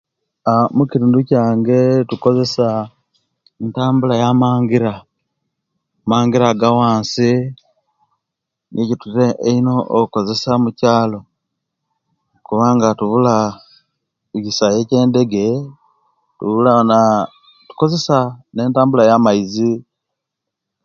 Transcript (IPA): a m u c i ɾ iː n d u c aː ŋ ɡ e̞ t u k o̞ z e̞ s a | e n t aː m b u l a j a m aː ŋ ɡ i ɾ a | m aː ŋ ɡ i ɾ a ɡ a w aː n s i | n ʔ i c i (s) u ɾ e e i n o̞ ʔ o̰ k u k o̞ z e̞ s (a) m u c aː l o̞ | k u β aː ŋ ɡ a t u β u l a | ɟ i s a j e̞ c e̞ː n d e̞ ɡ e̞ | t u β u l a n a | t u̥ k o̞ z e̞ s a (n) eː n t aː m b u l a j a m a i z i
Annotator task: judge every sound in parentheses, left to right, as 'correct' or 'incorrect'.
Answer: incorrect, correct, correct

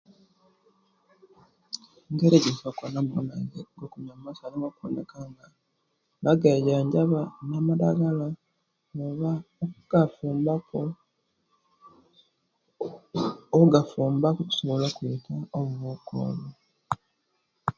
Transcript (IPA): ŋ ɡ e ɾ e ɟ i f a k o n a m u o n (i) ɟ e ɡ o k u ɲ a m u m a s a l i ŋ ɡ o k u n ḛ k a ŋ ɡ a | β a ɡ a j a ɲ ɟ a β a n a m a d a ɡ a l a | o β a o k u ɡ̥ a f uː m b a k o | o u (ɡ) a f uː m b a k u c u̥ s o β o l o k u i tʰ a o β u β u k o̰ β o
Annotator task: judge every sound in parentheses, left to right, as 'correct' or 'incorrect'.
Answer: incorrect, correct

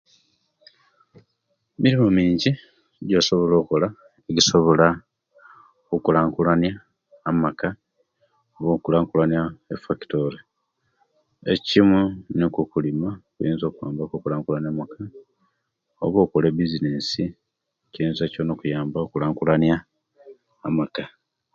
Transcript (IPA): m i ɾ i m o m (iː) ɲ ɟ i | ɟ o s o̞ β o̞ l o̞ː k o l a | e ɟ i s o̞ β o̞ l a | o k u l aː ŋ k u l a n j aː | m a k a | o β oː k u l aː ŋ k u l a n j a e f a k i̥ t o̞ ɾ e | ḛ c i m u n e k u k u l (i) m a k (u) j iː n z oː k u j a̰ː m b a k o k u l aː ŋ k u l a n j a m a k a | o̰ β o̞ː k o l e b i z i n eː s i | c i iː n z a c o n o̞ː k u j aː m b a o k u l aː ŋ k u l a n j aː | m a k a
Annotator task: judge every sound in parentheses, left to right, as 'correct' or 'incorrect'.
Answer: correct, correct, correct

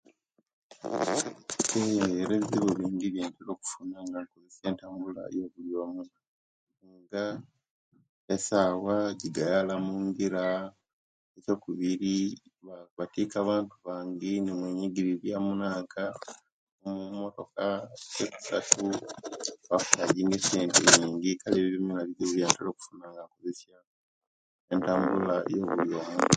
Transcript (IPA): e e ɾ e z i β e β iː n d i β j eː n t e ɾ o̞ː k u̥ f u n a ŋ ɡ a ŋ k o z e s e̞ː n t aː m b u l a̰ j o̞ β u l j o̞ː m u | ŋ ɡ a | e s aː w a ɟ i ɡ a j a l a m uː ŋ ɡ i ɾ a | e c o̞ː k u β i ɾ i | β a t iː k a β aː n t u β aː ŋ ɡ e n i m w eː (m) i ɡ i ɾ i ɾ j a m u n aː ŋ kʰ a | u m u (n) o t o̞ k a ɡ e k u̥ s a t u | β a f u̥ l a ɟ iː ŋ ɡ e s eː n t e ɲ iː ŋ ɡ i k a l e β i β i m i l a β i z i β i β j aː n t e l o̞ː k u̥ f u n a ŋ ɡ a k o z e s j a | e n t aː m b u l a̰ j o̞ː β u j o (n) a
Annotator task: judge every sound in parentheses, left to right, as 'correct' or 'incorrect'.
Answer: incorrect, incorrect, incorrect

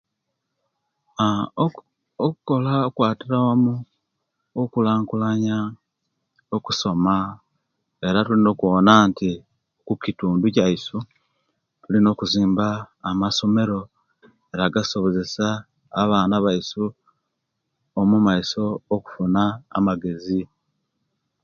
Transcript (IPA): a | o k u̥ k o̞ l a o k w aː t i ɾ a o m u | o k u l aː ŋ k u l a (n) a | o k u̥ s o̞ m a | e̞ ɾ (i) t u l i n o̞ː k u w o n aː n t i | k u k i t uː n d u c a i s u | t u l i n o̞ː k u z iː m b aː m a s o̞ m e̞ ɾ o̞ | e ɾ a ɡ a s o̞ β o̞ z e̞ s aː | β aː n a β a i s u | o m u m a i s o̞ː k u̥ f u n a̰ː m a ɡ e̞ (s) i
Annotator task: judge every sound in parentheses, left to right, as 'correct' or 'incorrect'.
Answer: incorrect, incorrect, incorrect

